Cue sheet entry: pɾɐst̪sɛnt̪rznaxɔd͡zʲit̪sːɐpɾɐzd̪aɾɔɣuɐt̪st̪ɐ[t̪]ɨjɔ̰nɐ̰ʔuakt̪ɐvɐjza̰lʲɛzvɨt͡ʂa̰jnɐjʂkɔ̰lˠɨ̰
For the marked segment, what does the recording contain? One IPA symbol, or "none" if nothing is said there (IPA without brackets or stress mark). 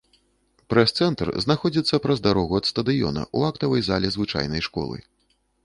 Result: d̪